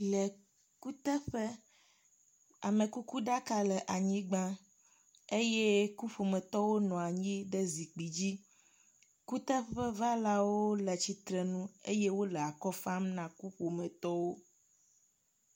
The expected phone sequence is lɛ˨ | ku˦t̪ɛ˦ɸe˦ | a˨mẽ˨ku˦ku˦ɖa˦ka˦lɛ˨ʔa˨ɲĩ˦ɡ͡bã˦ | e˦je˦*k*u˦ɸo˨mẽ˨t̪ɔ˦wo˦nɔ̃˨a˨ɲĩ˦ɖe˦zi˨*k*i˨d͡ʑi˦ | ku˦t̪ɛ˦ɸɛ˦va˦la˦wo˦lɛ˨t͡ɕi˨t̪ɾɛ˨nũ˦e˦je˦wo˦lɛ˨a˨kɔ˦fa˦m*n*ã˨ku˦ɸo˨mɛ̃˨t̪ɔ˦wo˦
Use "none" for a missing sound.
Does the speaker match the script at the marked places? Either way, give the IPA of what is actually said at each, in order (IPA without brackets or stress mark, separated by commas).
k, k͡p, n